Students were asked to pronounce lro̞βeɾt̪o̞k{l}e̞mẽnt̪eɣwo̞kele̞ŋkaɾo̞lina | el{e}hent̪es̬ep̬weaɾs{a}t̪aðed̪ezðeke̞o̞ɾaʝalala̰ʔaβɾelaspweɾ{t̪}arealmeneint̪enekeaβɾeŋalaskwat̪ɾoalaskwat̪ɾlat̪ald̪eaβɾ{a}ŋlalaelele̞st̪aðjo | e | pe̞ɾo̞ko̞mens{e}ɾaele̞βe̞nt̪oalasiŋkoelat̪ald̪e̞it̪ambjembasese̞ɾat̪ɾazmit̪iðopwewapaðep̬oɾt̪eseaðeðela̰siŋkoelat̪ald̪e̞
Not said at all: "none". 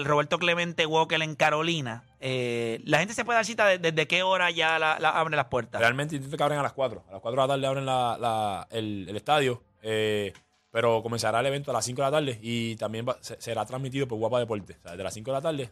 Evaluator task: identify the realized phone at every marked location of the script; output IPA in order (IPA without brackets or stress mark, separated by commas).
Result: l, a, i, t̪, e, a